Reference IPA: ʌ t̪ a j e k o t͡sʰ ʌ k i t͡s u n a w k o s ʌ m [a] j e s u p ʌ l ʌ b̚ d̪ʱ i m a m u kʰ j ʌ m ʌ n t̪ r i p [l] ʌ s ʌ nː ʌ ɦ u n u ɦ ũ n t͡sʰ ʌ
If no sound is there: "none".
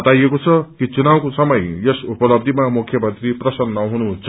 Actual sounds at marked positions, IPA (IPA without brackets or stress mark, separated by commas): ʌ, r